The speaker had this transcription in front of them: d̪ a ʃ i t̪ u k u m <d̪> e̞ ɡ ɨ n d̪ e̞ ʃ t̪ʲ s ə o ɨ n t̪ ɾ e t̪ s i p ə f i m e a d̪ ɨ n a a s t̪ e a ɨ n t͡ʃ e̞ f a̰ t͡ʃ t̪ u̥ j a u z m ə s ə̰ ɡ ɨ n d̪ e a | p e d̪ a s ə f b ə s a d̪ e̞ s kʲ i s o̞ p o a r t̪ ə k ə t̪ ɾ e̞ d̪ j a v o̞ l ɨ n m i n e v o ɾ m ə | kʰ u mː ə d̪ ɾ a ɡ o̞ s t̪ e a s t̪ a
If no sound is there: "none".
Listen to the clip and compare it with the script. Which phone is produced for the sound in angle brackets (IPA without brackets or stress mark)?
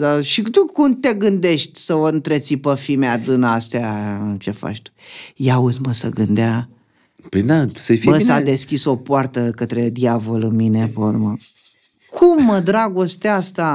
t̪